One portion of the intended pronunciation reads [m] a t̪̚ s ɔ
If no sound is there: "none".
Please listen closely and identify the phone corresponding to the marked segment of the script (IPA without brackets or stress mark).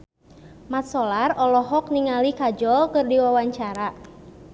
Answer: m